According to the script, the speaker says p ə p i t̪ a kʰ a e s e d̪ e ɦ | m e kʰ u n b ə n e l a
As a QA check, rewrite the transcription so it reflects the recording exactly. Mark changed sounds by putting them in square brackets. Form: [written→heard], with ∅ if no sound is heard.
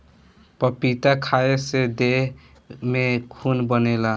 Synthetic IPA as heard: p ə p i t̪ a kʰ a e s e d̪ e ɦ | m e kʰ u n b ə n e l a